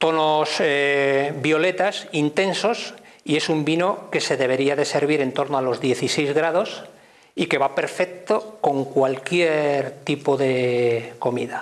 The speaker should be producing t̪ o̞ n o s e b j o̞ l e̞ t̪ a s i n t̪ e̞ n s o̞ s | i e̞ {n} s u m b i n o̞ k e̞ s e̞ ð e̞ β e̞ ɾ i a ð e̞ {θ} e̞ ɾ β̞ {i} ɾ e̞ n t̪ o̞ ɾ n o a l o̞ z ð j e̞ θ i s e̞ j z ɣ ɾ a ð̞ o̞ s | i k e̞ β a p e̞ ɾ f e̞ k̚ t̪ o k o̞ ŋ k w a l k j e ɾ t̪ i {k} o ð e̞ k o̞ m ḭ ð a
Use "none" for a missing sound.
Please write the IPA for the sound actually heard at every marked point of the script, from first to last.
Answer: none, s, i, p

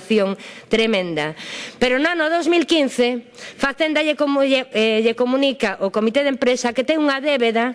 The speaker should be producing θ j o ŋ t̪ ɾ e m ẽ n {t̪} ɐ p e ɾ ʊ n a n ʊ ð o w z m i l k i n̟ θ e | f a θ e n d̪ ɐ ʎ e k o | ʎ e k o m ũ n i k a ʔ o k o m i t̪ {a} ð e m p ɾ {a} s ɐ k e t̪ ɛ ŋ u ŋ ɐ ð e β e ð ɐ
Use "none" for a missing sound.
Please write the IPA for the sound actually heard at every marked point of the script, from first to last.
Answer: d̪, e, e

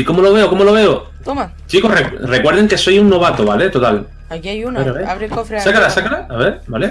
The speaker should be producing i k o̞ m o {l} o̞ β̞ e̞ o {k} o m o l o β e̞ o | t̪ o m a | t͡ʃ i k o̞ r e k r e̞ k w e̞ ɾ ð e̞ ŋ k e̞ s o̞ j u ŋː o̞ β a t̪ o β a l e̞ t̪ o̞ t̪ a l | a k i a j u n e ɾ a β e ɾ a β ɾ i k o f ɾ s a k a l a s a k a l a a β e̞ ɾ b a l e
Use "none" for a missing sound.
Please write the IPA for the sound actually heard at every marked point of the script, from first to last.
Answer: l, k

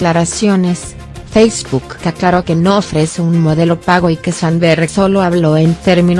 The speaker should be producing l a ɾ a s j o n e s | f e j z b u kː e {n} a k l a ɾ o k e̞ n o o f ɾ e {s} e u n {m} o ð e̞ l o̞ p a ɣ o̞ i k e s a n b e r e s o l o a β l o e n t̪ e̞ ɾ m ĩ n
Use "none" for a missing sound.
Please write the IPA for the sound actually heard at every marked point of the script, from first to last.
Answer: none, s, m

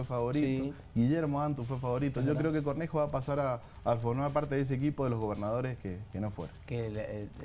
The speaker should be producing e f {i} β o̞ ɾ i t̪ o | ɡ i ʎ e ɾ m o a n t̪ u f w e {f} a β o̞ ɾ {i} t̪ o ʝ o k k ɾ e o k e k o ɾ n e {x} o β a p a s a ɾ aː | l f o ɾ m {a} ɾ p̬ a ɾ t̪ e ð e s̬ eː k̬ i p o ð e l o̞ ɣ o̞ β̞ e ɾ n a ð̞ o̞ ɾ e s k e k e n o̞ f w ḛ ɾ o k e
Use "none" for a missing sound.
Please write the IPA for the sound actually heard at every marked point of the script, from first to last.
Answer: a, f, i, x, a

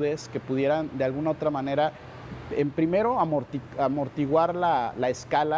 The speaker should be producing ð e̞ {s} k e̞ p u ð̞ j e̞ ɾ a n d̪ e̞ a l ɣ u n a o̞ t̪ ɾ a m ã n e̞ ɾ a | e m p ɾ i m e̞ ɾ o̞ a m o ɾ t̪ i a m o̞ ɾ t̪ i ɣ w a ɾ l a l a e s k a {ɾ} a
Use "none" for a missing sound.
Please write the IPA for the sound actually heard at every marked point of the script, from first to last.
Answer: s, l

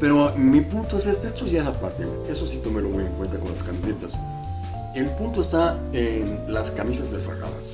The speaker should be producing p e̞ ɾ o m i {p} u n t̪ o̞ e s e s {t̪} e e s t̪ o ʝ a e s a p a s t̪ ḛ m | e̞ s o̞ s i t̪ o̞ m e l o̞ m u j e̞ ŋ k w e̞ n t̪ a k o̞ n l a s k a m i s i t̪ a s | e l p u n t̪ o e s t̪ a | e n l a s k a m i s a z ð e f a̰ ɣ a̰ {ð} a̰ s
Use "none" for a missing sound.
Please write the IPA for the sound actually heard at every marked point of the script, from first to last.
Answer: p, t̪, ð

